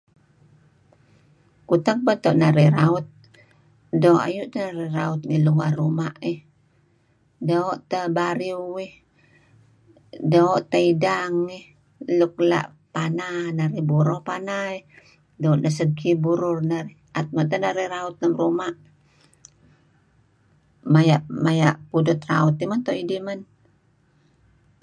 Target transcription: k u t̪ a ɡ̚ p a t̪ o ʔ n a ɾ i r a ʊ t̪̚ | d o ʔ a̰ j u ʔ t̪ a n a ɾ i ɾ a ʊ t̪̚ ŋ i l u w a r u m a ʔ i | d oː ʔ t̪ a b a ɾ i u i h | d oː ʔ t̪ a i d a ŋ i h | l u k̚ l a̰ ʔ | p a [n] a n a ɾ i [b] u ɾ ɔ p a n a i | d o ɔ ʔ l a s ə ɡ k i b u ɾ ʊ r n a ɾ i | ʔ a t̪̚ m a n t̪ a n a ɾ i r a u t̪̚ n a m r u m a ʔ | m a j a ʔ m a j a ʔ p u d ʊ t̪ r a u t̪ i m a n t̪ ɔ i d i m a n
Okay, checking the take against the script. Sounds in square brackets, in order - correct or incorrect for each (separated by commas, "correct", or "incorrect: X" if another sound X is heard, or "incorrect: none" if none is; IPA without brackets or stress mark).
correct, correct